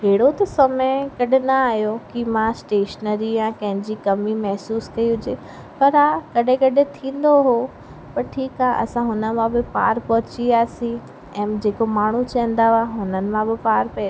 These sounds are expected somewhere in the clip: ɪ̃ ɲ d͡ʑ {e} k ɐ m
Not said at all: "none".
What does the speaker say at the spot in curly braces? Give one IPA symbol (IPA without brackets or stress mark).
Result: i